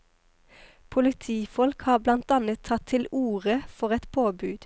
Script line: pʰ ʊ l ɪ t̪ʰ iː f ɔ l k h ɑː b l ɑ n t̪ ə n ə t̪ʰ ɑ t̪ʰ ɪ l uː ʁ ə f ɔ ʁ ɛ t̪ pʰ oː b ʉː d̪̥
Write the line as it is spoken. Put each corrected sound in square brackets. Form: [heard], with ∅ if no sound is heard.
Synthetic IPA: pʰ ʊ l ɪ t̪ʰ iː f ɔ l k h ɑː b l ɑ n t̪ [ɑ] n ə t̪ʰ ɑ t̪ʰ ɪ l uː ʁ ə f ɔ ʁ ɛ t̪ pʰ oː b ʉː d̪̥